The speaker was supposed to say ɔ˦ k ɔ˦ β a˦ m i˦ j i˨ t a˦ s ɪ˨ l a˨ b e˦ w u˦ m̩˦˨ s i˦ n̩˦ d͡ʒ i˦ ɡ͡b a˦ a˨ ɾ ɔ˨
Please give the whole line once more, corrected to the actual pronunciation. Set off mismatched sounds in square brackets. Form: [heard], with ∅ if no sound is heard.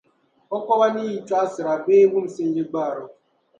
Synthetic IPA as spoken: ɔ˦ k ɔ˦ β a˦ [n] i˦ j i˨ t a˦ s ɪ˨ [ɾ] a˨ b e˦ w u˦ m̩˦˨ s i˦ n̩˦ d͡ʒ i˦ ɡ͡b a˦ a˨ ɾ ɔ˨